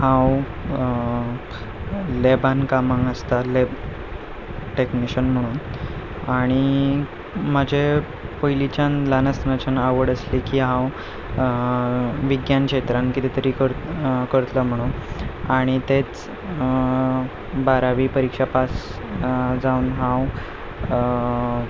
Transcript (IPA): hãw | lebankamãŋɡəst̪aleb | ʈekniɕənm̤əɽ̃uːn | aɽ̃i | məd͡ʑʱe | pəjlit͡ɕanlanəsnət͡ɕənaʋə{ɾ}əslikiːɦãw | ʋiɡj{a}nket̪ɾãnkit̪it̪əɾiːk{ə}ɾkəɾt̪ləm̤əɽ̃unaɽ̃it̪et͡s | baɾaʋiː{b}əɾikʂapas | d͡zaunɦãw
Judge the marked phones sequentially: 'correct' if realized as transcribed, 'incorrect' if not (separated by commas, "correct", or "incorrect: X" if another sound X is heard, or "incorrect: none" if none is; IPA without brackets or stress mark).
incorrect: ɽ, correct, correct, incorrect: p